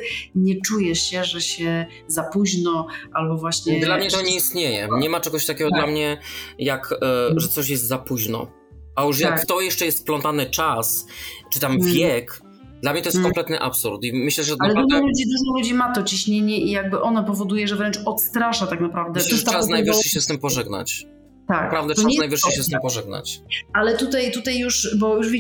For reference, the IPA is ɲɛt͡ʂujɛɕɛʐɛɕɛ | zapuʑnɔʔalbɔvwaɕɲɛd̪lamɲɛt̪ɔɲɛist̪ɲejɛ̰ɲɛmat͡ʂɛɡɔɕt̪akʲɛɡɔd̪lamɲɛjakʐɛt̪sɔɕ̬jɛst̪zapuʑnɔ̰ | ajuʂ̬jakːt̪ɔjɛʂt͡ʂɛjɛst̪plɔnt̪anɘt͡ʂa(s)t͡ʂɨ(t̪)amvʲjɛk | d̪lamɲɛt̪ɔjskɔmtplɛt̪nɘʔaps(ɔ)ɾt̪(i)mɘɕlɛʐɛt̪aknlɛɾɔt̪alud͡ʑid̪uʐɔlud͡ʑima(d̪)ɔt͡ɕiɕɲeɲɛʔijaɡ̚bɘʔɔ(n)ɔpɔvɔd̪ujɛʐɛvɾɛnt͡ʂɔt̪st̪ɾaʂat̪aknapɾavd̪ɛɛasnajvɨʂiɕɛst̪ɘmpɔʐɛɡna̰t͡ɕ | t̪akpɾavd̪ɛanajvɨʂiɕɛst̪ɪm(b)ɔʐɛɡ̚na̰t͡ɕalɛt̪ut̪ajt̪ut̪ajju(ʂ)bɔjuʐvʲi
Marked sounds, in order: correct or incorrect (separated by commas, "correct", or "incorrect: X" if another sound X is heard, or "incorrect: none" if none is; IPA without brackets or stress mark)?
correct, correct, incorrect: u, correct, incorrect: t̪, correct, incorrect: p, correct